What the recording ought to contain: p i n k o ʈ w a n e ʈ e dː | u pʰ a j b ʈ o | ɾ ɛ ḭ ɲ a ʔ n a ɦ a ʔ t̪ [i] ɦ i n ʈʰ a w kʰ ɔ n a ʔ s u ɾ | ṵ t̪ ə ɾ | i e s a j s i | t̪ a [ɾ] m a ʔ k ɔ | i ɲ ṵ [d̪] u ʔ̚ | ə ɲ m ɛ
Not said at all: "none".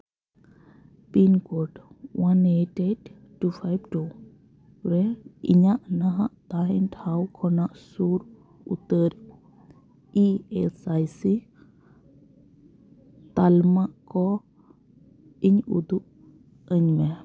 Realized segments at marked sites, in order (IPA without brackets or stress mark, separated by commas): a, l, d̪